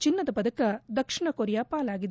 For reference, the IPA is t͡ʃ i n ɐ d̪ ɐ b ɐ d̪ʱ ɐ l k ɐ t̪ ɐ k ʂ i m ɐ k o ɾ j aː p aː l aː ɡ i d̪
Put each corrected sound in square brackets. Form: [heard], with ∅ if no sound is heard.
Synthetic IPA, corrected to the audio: t͡ʃ i [nː] ɐ d̪ ɐ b ɐ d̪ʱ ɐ [∅] k ɐ [d̪] ɐ k ʂ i [ɳ] ɐ k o ɾ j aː p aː l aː ɡ i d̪